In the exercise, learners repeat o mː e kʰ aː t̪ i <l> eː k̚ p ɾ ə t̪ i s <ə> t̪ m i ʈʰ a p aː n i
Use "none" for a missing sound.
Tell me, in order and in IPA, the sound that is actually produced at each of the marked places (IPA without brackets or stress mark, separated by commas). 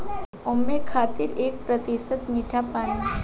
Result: ɾ, ə